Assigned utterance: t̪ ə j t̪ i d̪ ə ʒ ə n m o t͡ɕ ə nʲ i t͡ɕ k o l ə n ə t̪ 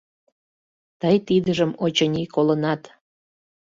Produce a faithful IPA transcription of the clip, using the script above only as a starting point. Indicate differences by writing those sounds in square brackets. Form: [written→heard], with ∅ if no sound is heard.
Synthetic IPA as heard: t̪ ə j t̪ i d̪ ə ʒ ə [n→∅] m o t͡ɕ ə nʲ i [t͡ɕ→∅] k o l ə n [ə→ɑ] t̪